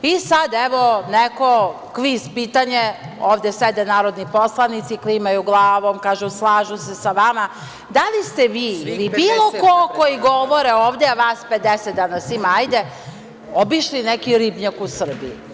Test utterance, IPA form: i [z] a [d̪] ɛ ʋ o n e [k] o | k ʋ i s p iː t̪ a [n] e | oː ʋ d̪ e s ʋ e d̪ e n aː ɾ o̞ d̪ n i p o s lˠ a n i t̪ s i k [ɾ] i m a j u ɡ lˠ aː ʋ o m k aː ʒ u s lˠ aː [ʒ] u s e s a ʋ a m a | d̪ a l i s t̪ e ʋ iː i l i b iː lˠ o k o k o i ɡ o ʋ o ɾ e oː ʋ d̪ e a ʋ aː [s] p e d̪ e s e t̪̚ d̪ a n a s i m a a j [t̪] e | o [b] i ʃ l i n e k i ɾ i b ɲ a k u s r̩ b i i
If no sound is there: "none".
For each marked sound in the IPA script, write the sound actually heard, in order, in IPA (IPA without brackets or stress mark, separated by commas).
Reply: s, d̪, k, ɲ, l, ʒ, s, d̪, b